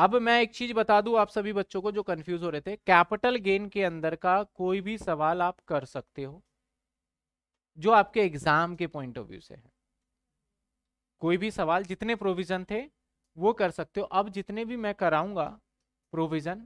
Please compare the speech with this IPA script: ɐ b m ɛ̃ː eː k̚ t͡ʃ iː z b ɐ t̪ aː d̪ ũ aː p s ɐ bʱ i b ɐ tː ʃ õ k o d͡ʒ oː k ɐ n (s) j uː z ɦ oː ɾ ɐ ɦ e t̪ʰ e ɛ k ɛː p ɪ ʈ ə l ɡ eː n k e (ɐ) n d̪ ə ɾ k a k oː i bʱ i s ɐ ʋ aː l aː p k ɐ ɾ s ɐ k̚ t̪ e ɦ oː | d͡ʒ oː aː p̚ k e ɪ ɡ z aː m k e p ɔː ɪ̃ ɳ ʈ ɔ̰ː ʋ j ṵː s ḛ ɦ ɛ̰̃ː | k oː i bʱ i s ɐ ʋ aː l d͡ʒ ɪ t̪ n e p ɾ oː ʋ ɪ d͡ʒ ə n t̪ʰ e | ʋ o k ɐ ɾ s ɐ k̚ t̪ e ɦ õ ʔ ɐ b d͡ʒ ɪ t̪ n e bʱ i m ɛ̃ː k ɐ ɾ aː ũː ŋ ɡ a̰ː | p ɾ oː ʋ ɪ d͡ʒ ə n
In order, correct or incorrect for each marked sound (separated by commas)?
incorrect, incorrect